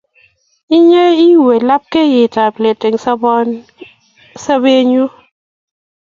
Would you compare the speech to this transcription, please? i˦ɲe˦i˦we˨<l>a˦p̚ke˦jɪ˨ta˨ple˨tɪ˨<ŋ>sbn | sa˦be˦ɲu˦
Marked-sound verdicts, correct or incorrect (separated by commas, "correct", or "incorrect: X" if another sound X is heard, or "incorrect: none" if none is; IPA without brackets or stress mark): correct, correct